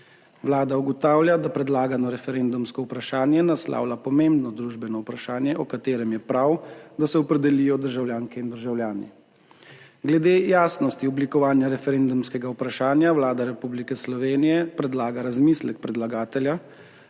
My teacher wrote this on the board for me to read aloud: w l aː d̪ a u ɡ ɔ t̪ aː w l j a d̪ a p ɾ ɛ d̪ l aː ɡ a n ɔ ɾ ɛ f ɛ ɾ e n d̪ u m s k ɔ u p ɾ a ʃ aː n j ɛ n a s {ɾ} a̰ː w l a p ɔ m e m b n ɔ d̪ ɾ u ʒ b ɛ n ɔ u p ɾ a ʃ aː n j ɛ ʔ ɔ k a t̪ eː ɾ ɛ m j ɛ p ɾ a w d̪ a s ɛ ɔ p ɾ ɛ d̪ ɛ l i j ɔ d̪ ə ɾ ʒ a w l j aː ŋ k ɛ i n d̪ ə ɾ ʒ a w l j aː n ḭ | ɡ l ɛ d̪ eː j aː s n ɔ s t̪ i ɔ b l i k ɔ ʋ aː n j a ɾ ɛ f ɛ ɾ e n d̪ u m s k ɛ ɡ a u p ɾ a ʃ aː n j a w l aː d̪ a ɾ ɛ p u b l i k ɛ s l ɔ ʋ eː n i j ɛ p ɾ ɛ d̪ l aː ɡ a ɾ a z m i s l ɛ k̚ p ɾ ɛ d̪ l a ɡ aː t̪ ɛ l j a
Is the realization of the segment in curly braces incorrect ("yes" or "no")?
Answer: yes